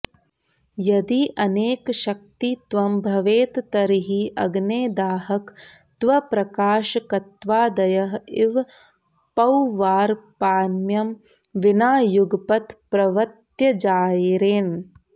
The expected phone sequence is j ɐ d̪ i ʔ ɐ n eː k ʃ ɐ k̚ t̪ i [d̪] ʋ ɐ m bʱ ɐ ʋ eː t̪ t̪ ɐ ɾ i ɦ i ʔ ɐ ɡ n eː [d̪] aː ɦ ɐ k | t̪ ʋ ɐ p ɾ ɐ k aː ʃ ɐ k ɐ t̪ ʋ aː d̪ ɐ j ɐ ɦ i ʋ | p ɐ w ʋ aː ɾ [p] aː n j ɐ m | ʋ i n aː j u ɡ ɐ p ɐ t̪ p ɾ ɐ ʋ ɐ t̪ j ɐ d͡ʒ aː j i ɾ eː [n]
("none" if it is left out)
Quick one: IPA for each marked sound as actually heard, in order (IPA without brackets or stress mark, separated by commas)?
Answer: t̪, d̪, p, n